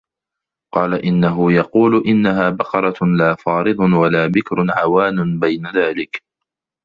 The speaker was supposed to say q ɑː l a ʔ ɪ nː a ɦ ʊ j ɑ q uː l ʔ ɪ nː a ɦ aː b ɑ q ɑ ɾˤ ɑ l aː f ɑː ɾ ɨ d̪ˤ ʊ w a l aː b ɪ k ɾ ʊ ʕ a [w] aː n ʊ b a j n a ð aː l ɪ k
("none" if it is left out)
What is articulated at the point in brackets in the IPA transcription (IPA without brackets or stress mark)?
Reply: w